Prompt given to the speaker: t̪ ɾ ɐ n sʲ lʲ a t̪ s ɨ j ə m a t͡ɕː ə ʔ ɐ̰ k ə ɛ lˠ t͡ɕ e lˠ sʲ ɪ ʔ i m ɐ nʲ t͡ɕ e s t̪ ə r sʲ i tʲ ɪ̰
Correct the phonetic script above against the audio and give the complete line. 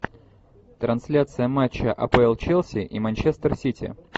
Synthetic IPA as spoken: t̪ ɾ ɐ n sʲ lʲ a t̪ s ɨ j ə m a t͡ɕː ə ʔ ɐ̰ p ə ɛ lˠ t͡ɕ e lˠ sʲ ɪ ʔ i m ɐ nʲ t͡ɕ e s t̪ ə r sʲ i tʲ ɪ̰